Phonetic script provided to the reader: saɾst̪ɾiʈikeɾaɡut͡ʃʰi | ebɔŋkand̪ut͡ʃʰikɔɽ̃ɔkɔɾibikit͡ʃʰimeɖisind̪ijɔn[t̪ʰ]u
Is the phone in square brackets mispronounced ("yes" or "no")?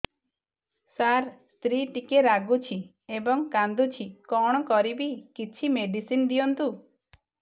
yes